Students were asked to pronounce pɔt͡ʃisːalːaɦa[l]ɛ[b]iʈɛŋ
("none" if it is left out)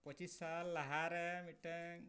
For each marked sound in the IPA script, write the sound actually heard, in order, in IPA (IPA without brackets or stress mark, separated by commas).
ɾ, m